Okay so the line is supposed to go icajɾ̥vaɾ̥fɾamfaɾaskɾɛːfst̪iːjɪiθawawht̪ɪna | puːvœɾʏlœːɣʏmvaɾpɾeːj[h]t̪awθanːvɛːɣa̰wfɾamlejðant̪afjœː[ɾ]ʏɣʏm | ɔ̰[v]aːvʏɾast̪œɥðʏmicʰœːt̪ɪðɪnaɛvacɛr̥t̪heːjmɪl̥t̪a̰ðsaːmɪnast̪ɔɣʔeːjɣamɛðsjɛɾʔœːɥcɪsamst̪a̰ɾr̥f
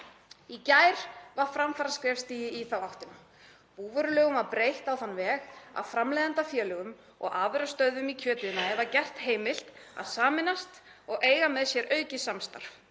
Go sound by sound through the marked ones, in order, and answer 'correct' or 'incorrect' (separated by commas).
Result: correct, incorrect, incorrect